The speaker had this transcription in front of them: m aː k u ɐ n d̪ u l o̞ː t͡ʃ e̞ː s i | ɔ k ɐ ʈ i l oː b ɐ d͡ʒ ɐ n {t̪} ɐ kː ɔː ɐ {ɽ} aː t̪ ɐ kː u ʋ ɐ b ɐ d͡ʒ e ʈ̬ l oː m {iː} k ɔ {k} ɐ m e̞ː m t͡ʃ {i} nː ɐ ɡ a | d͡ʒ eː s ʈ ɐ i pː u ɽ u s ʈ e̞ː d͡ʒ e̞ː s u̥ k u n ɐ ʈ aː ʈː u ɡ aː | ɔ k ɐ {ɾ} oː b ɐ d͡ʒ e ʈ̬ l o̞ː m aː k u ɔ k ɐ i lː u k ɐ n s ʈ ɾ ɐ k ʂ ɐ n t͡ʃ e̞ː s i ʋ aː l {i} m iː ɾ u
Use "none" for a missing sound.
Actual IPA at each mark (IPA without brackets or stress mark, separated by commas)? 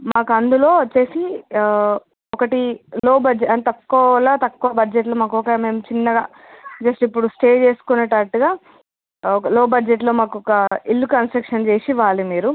t̪, l, aː, k, i, l, i